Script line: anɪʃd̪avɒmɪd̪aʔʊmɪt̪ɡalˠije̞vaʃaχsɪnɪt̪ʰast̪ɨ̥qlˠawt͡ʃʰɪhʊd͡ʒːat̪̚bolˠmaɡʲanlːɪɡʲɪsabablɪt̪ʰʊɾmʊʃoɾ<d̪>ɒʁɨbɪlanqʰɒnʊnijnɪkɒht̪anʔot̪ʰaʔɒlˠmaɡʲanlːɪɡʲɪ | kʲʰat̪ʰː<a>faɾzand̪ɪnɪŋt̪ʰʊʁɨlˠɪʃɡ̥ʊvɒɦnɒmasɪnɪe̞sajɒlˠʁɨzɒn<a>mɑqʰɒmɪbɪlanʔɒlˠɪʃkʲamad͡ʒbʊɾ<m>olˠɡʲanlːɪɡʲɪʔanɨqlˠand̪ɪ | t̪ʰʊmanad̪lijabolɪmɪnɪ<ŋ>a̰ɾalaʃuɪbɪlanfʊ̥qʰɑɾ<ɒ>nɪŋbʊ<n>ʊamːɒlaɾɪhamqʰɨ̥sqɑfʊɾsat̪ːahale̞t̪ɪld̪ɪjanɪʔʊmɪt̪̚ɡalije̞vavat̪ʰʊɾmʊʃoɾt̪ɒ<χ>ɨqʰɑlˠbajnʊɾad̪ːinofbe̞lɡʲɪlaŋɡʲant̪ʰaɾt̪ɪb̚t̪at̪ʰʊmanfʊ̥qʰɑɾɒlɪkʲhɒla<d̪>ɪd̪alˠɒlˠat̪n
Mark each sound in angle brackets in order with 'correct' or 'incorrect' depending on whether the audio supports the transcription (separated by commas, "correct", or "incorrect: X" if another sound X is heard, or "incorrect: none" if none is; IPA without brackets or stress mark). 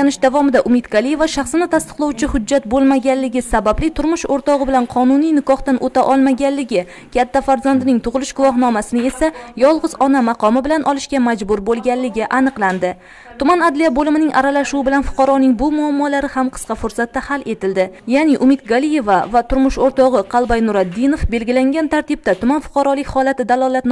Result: incorrect: t̪, correct, correct, incorrect: b, correct, correct, incorrect: m, incorrect: ʁ, incorrect: t̪